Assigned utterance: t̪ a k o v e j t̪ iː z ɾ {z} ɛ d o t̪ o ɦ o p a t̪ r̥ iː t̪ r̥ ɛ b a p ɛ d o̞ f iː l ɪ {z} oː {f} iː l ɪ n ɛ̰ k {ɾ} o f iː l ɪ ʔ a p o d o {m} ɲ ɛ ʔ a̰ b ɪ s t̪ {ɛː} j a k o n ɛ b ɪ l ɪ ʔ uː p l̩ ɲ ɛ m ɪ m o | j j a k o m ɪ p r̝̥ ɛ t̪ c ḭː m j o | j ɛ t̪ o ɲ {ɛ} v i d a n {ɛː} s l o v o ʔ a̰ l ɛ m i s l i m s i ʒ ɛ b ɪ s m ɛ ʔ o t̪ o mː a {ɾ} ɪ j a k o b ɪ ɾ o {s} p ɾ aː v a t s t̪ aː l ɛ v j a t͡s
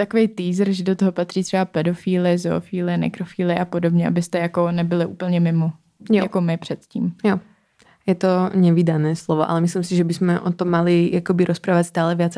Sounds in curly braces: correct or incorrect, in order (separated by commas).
incorrect, correct, correct, correct, incorrect, incorrect, correct, correct, incorrect, correct